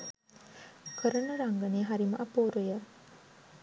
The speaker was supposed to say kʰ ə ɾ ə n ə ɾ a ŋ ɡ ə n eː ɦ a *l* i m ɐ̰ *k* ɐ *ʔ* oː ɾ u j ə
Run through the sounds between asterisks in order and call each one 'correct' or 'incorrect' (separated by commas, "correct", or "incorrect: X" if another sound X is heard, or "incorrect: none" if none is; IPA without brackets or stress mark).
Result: incorrect: ɾ, incorrect: ʔ, incorrect: p